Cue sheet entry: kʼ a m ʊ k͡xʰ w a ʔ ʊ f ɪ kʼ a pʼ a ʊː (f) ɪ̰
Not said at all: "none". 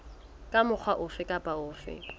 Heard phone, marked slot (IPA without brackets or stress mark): f